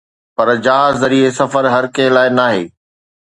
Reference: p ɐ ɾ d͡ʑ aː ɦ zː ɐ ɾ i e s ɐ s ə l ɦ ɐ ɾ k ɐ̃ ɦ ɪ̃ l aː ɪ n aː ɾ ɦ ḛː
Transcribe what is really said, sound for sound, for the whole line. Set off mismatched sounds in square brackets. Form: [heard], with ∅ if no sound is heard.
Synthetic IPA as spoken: p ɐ ɾ d͡ʑ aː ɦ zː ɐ ɾ i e s ɐ [f] ə [ɾ] ɦ ɐ ɾ k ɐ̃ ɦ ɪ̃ l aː ɪ n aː [∅] ɦ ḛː